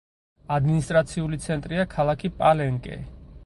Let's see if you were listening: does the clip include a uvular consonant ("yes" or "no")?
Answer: no